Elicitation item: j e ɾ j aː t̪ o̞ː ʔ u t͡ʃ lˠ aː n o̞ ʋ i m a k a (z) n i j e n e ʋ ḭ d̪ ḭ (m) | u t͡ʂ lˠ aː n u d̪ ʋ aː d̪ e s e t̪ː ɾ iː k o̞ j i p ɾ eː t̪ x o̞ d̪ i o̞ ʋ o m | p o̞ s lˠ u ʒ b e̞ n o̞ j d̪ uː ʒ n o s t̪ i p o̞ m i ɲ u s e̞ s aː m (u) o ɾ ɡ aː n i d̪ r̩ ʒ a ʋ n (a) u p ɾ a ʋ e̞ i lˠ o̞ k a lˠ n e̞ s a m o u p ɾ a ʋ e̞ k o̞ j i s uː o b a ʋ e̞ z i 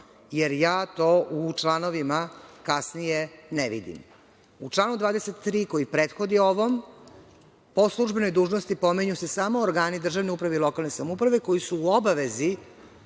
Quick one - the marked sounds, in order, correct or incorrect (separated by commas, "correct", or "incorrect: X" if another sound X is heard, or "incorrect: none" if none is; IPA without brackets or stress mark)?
incorrect: s, correct, incorrect: o, incorrect: e